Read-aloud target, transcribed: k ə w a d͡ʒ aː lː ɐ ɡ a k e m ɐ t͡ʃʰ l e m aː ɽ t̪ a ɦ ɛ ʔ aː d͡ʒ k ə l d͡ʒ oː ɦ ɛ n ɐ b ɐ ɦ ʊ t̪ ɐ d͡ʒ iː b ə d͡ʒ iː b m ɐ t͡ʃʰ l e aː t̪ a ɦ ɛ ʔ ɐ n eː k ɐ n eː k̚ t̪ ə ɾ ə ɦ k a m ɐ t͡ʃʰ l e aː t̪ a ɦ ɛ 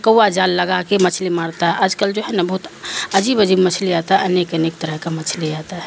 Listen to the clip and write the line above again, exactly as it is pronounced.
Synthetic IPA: k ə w a d͡ʒ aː lː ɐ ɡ a k e m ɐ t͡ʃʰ l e m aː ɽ t̪ a ɦ ɛ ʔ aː d͡ʒ k ə l d͡ʒ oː ɦ ɛ n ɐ b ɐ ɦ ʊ t̪ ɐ d͡ʒ iː b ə d͡ʒ iː b m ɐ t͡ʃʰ l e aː t̪ a ɦ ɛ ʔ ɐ n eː k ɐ n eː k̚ t̪ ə ɾ ə ɦ k a m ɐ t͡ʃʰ l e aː t̪ a ɦ ɛ